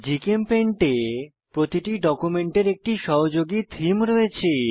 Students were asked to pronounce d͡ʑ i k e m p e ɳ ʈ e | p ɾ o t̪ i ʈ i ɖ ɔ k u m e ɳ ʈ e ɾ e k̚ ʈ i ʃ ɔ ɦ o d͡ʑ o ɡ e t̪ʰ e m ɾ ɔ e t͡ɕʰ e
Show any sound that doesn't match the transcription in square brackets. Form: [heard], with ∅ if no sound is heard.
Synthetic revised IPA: d͡ʑ i k e m p e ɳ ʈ e | p ɾ o t̪ i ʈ i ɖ ɔ k u m e ɳ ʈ e ɾ e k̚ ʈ i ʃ ɔ ɦ o d͡ʑ o ɡ [i] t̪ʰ [i] m ɾ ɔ e t͡ɕʰ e